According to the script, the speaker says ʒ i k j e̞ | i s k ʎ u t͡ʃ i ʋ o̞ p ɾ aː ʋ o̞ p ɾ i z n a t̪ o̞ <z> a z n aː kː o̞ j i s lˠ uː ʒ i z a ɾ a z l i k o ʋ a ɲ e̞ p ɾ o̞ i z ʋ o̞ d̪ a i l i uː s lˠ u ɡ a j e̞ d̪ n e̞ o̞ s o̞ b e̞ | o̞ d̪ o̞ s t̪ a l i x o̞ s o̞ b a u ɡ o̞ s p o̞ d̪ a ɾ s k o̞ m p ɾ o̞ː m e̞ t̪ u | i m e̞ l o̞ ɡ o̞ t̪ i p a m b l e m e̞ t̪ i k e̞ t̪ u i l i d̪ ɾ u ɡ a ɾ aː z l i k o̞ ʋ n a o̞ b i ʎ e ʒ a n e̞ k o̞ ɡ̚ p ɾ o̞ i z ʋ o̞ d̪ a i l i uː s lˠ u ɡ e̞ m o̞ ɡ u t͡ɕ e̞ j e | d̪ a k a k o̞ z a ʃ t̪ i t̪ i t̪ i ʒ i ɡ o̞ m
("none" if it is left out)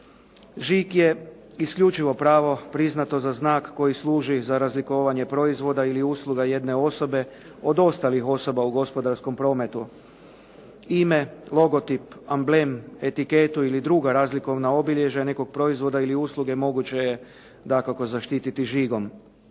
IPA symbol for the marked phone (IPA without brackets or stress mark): z